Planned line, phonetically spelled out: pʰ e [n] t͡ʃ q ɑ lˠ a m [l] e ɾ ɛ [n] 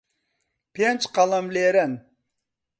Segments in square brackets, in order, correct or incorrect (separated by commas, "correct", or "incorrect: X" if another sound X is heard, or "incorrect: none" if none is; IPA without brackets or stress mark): correct, correct, correct